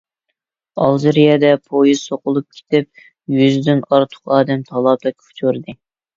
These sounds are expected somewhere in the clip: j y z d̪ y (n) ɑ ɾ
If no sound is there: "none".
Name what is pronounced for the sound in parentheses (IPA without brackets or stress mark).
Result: n